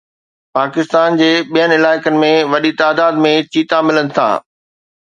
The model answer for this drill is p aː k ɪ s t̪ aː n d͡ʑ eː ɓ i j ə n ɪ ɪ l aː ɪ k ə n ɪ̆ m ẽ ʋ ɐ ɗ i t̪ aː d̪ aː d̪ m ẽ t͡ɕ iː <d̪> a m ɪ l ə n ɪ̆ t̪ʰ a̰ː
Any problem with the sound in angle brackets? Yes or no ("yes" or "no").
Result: yes